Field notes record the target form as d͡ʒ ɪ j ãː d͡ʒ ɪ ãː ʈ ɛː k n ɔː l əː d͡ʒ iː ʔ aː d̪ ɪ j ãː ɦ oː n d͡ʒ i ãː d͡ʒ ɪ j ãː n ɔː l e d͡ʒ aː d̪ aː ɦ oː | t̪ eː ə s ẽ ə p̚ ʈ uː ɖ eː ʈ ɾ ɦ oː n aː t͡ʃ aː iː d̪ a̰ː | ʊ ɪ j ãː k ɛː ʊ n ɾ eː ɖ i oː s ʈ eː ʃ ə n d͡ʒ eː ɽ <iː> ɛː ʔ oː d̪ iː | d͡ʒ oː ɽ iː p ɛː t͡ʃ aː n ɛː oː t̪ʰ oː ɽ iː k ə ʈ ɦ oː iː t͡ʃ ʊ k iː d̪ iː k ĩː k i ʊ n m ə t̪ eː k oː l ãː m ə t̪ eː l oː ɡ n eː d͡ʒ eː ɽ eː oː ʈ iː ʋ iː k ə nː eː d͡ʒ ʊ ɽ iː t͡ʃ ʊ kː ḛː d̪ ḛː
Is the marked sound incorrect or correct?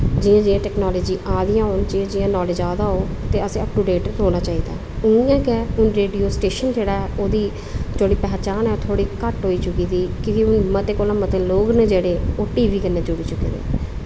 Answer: incorrect